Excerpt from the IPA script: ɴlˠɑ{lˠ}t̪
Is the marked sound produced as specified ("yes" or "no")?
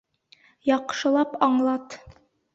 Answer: no